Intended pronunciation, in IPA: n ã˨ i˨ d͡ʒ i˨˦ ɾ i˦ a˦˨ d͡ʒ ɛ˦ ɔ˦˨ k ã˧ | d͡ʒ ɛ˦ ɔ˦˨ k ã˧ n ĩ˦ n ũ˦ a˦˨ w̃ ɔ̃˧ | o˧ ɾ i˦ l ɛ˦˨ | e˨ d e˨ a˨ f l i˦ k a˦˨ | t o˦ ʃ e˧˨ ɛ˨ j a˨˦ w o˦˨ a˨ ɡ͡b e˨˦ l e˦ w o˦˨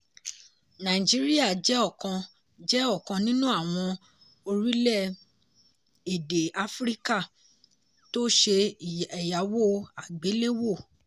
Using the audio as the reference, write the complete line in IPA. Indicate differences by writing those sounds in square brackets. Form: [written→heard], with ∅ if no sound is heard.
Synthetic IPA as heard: n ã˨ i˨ d͡ʒ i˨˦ ɾ i˦ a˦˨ d͡ʒ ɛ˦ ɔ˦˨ k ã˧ | d͡ʒ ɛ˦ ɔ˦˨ k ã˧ n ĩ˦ n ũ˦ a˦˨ w̃ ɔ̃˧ | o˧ ɾ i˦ l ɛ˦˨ | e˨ d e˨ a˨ f [l→ɾ] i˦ k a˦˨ | t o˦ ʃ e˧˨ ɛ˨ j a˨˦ w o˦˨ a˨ ɡ͡b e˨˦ l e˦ w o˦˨